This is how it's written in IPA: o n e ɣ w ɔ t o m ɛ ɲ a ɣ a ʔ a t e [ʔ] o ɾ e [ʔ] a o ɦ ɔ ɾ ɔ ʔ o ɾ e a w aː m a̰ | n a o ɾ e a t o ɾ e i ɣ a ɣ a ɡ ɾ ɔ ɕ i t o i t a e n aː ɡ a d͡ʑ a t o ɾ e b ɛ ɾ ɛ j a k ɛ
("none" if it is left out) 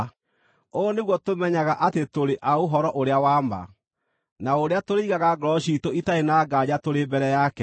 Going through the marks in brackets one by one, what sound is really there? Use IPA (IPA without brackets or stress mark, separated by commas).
t, ʔ